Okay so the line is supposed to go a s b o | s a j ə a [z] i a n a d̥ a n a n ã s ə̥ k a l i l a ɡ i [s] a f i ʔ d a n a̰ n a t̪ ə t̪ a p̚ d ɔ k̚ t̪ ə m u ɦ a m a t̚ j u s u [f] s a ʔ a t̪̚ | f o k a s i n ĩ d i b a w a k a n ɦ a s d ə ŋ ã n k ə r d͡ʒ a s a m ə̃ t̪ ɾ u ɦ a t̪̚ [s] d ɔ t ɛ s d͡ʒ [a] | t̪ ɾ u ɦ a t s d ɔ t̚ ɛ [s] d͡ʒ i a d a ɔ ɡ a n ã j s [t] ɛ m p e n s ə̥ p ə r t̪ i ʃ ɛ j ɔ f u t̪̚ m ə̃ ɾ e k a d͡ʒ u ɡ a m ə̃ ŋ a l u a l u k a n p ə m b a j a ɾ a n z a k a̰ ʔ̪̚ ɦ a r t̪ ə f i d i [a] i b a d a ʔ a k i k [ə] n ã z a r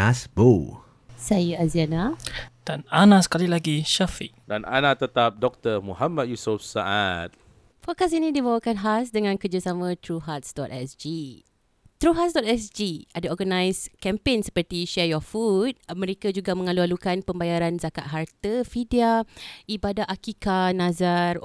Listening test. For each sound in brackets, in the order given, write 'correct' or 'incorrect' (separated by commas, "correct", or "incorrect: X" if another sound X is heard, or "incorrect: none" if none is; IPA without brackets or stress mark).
correct, incorrect: ʃ, correct, correct, incorrect: i, correct, incorrect: k, correct, incorrect: a